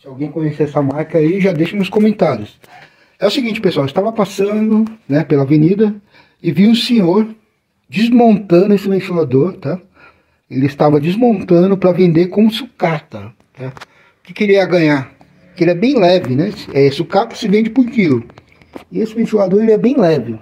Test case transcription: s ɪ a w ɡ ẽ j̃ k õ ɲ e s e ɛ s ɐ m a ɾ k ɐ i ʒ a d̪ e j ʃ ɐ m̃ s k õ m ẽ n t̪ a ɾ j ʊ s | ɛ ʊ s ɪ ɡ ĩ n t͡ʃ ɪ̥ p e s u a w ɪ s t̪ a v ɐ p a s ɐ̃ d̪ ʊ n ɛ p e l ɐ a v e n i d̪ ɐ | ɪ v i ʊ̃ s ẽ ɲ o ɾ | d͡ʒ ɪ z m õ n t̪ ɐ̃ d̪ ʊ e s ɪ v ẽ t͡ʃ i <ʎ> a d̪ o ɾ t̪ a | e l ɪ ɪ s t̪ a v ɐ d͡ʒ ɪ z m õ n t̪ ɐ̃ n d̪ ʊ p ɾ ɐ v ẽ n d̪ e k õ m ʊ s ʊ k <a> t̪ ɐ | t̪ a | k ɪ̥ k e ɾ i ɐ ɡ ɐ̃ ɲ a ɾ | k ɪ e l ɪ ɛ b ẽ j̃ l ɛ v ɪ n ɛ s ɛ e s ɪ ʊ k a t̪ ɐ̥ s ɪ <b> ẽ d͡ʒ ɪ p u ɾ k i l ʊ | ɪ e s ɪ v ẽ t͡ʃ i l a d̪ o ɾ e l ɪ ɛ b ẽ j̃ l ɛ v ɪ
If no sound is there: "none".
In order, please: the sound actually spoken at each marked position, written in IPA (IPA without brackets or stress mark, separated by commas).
l, a, v